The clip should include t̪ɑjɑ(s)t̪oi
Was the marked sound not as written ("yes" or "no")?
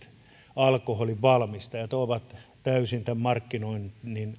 yes